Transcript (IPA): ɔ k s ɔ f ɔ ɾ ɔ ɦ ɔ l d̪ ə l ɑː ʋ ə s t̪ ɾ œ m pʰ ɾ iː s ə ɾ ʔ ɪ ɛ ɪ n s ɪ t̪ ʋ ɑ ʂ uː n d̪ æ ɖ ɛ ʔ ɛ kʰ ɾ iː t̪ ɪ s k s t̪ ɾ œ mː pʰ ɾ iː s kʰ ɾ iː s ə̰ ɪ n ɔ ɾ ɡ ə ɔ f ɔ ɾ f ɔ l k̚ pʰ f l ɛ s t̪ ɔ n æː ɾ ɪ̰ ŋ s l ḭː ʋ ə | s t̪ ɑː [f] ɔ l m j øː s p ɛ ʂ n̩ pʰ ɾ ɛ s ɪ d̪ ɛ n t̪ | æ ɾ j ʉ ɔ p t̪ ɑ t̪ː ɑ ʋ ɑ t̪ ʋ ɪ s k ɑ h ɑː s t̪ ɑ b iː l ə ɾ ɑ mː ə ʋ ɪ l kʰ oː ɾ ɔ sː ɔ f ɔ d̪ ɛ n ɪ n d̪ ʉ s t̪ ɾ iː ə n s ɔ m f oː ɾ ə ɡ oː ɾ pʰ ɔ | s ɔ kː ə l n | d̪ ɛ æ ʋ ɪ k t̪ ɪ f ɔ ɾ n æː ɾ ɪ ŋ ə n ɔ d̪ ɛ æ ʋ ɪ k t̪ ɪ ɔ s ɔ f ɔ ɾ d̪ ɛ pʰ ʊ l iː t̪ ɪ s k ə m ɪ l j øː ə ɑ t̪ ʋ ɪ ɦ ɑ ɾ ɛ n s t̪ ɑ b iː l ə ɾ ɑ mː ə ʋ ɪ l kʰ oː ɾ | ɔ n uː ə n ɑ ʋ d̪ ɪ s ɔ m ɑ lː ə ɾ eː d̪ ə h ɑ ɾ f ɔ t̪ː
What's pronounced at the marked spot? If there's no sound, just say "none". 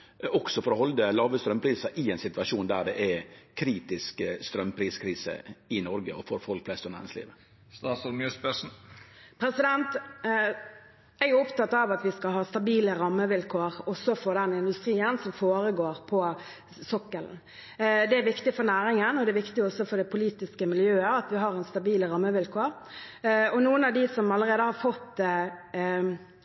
s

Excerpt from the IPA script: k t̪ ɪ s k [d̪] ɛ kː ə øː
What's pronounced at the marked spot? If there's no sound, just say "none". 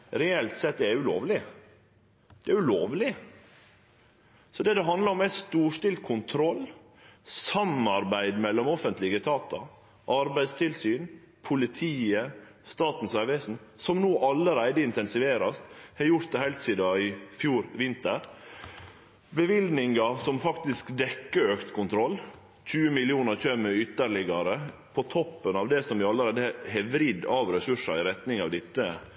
d̪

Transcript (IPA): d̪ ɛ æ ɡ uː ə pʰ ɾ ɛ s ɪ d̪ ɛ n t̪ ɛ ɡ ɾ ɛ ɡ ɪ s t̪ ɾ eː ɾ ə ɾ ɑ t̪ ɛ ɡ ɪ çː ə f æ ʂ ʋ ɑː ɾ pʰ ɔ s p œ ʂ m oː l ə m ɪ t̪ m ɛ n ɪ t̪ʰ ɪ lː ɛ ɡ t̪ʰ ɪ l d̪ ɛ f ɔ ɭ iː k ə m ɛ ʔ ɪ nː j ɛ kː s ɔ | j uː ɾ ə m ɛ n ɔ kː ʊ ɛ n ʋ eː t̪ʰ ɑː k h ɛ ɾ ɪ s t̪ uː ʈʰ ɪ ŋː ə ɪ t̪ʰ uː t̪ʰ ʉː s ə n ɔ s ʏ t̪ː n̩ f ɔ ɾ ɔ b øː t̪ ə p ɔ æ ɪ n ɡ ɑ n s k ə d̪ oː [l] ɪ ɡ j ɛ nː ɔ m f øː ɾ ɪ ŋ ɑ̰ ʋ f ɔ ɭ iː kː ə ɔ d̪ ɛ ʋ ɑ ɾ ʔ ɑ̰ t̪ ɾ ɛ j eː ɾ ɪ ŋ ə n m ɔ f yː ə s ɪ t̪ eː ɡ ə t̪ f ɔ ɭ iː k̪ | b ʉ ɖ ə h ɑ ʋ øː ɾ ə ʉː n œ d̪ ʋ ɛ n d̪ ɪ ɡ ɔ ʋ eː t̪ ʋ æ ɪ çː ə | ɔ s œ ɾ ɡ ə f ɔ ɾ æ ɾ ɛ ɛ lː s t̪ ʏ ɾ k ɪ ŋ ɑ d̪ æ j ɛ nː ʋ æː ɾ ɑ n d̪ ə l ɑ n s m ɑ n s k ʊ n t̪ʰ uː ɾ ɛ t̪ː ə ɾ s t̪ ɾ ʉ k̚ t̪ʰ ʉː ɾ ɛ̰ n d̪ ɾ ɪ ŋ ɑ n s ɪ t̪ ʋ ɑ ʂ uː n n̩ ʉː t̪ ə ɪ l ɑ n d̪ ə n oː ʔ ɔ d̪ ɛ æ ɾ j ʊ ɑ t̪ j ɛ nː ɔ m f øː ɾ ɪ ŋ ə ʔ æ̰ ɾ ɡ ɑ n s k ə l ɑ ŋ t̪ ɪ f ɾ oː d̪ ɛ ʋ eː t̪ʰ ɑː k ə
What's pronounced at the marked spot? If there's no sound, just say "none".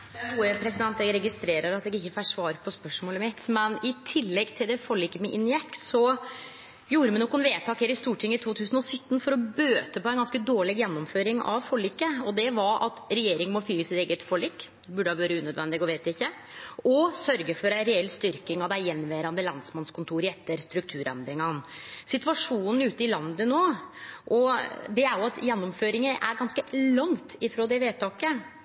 ɭ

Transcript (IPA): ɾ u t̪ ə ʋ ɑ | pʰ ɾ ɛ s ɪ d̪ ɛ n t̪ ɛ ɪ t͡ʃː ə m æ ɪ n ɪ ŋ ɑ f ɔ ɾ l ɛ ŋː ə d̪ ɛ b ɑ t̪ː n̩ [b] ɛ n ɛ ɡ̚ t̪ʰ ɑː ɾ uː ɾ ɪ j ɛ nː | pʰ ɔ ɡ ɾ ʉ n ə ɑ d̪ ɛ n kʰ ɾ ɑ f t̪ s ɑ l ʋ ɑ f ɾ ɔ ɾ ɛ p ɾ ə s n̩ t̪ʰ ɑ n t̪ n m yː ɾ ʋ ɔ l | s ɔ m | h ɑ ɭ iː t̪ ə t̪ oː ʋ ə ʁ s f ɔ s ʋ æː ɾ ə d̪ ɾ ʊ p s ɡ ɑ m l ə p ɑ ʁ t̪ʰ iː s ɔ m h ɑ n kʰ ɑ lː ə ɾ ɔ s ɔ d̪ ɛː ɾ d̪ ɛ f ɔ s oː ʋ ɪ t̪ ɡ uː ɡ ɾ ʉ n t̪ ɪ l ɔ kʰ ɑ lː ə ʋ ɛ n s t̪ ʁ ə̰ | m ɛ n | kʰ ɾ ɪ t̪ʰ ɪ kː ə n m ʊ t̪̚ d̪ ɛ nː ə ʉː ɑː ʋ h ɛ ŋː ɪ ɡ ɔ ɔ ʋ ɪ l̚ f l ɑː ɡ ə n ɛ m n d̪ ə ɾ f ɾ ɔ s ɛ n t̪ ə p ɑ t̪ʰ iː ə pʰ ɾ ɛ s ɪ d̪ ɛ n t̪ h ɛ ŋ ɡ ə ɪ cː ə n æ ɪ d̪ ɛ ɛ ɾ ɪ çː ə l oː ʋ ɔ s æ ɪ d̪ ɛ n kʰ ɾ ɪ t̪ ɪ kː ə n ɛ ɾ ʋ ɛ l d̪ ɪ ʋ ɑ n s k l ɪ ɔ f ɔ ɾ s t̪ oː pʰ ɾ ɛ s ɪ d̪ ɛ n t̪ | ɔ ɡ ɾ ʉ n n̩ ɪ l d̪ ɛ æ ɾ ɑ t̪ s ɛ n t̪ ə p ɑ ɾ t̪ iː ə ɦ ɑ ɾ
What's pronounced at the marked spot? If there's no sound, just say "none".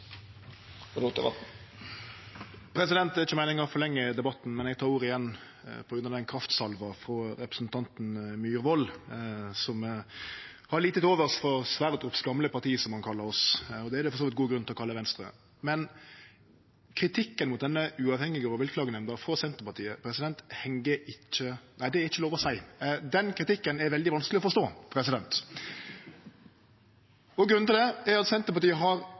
m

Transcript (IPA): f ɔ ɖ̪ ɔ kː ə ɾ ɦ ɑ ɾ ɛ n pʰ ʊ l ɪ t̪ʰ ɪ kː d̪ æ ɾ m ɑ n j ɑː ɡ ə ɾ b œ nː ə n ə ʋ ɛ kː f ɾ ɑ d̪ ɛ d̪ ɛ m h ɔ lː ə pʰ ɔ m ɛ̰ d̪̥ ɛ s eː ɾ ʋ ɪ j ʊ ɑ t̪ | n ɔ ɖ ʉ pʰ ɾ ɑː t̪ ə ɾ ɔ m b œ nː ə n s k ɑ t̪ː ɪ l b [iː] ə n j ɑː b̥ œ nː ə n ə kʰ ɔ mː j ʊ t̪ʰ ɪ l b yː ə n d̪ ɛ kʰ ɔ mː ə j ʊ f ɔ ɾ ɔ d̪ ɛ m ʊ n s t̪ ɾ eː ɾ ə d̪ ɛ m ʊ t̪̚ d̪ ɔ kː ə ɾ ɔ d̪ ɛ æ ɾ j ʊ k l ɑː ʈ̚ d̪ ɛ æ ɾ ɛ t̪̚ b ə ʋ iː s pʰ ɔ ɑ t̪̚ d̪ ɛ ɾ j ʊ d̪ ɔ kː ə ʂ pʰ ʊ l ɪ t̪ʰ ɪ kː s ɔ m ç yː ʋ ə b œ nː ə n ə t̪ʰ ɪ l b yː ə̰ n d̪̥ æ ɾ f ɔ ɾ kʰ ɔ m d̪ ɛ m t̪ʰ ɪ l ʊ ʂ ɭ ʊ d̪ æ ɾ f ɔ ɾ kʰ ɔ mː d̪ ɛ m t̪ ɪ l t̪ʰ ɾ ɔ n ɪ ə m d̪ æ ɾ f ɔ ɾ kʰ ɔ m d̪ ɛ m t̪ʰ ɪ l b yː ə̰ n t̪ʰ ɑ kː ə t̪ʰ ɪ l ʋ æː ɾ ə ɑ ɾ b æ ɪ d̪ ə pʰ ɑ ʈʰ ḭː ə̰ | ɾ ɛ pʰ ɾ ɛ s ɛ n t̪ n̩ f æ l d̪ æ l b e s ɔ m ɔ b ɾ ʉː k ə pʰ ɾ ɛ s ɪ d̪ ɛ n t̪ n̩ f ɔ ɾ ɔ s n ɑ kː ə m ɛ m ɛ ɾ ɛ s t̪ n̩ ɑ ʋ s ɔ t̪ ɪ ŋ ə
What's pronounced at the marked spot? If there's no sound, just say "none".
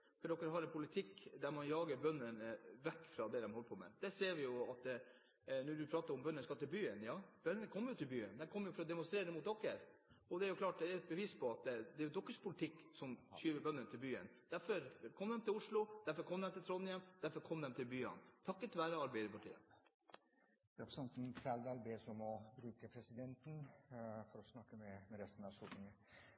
yː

